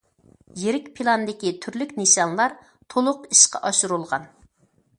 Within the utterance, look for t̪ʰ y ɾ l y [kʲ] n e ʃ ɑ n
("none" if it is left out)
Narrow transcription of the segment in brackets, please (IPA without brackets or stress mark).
kʲ